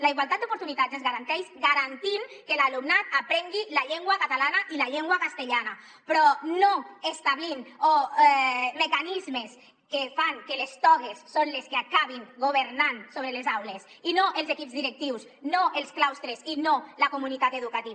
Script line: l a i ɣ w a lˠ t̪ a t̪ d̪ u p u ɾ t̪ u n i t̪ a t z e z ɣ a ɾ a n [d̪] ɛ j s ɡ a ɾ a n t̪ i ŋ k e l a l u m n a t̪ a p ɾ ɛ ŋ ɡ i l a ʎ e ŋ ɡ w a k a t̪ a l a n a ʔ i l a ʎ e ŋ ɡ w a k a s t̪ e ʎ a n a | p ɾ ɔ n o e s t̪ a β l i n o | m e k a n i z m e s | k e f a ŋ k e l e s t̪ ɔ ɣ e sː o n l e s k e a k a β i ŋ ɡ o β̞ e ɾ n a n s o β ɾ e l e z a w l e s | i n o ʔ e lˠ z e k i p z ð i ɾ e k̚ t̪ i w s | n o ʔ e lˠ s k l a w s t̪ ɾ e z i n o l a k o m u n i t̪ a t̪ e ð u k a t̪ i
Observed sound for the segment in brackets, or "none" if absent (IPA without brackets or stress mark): t̪